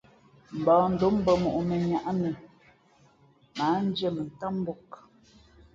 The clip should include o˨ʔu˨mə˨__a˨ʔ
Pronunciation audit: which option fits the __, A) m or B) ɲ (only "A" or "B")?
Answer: B